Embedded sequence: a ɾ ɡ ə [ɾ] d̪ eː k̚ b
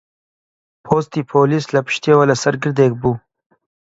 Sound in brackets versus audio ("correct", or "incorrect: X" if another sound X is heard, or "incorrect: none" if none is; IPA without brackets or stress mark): correct